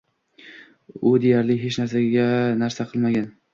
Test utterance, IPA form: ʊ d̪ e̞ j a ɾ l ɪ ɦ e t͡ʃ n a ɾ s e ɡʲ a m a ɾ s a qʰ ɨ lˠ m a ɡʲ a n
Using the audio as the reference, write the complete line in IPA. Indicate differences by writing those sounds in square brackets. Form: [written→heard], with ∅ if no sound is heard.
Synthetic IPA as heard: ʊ d̪ e̞ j a ɾ l ɪ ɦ e t͡ʃ n a ɾ s [e→a] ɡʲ a [m→n] a ɾ s a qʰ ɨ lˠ m a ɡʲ a n